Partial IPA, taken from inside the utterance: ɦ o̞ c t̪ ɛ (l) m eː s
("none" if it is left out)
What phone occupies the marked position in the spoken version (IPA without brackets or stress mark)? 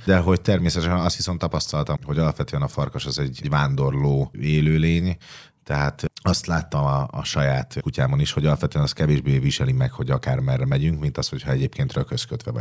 r